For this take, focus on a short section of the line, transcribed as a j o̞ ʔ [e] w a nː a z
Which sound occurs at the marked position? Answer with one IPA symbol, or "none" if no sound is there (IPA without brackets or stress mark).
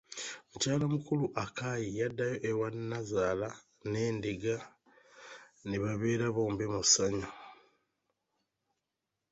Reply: e